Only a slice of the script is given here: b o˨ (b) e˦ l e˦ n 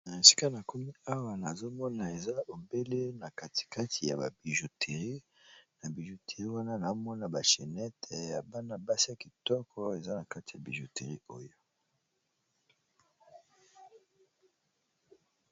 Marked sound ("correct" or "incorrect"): correct